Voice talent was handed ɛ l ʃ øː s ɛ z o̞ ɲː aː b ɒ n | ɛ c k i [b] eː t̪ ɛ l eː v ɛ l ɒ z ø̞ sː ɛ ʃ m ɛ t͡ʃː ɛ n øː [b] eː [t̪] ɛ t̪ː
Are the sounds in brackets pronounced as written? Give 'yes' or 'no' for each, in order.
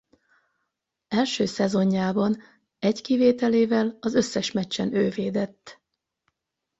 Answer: no, no, no

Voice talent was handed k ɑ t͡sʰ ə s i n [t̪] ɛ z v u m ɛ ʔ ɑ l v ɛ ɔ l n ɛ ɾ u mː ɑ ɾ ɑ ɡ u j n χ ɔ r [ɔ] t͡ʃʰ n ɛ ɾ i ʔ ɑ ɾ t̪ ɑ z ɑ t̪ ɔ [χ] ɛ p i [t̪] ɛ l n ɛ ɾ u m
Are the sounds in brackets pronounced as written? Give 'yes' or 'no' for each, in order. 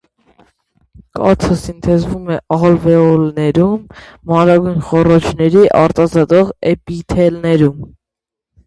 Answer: no, yes, no, no

